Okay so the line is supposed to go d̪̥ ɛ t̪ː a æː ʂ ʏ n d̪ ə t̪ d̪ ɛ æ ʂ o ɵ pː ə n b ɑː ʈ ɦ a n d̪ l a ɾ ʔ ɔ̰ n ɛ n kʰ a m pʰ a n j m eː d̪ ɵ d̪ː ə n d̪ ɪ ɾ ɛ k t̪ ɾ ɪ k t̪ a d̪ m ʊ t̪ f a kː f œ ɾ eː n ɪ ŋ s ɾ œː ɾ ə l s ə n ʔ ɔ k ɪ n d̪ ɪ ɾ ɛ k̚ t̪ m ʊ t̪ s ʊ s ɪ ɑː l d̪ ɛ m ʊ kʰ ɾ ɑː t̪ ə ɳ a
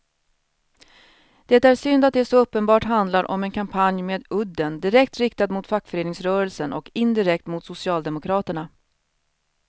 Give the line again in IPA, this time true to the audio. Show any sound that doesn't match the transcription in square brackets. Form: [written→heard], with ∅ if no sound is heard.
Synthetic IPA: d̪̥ ɛ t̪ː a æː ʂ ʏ n d̪ [ə→a] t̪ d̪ ɛ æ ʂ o ɵ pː ə n b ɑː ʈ ɦ a n d̪ l a ɾ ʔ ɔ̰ [n→m] ɛ n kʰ a m pʰ a n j m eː d̪ ɵ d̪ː ə n d̪ ɪ ɾ ɛ k t̪ ɾ ɪ k t̪ a d̪ m ʊ t̪ f a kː f œ ɾ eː n ɪ ŋ s ɾ œː ɾ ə l s ə n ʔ ɔ k ɪ n d̪ ɪ ɾ ɛ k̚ t̪ m ʊ t̪ s ʊ s ɪ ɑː l d̪ ɛ m ʊ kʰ ɾ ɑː t̪ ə ɳ a